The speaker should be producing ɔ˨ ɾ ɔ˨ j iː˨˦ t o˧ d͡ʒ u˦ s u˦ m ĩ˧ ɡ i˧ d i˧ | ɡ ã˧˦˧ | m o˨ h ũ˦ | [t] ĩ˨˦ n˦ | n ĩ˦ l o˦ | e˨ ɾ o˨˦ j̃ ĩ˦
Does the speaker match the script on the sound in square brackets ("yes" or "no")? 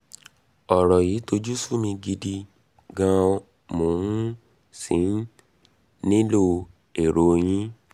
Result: no